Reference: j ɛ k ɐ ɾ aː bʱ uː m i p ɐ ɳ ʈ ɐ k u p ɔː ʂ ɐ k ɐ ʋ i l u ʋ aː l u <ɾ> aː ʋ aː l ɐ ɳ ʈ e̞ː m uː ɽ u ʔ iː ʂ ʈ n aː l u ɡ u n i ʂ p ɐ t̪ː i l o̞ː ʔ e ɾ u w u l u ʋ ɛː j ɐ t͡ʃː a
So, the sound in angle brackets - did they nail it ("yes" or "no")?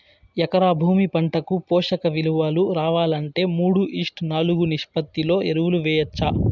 yes